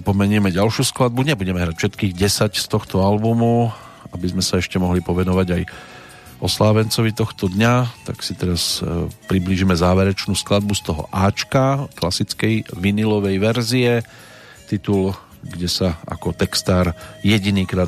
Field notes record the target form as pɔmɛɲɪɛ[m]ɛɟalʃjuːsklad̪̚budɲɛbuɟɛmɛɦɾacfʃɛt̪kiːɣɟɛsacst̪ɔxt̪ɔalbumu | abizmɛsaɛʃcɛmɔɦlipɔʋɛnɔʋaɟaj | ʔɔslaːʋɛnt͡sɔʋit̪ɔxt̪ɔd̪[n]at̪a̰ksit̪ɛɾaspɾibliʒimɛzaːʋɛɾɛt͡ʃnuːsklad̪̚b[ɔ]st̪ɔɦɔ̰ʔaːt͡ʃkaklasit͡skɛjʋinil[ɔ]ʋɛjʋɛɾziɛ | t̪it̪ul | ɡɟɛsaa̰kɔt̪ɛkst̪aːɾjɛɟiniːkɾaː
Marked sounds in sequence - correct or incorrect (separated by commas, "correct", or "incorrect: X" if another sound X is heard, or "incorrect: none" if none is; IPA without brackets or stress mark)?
correct, incorrect: ɲ, incorrect: u, correct